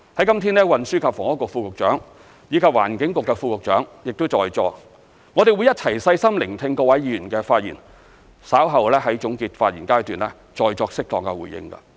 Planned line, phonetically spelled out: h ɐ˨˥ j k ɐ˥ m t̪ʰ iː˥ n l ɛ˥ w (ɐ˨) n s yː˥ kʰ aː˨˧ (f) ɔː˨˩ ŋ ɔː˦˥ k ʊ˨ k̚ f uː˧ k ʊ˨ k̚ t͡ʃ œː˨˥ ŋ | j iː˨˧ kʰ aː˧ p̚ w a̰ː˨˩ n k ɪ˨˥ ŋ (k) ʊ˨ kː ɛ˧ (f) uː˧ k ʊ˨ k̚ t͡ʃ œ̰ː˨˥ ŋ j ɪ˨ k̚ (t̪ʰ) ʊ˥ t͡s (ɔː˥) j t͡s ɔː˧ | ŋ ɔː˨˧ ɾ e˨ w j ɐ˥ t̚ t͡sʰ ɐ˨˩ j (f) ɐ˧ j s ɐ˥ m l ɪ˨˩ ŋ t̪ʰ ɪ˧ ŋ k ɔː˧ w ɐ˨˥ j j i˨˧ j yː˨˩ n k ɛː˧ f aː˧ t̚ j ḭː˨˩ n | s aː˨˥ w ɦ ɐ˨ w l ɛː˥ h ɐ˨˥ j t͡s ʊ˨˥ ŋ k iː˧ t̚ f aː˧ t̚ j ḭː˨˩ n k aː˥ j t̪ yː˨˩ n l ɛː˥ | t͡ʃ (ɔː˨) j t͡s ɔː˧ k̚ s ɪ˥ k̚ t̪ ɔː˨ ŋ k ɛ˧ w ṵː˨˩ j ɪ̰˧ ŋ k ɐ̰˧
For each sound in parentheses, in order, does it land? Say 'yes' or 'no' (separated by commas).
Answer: yes, yes, yes, yes, no, no, no, yes